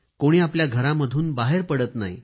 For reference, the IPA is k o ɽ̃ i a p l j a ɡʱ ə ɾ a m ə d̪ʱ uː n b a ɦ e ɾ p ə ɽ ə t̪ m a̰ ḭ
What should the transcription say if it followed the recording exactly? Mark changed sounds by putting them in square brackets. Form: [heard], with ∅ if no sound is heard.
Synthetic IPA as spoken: k o ɽ̃ [iː] a p l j a ɡʱ ə ɾ a m ə d̪ʱ uː n b a ɦ e ɾ p ə ɽ ə t̪ [n] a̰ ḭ